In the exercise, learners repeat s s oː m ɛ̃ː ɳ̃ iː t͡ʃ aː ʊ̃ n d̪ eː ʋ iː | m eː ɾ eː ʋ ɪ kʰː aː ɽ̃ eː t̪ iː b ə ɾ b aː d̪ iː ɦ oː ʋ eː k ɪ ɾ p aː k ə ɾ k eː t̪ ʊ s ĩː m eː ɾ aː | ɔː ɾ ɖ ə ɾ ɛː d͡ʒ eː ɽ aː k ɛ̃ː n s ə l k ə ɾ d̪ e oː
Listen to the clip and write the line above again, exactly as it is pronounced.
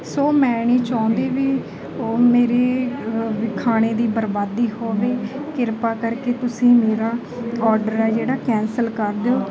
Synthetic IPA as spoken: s s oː m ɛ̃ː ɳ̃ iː t͡ʃ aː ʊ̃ n d̪ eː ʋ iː | m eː ɾ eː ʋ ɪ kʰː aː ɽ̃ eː d̪ iː b ə ɾ b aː d̪ iː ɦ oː ʋ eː k ɪ ɾ p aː k ə ɾ k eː t̪ ʊ s ĩː m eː ɾ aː | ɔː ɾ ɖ ə ɾ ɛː d͡ʒ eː ɽ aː k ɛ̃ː n s ə l k ə ɾ d̪ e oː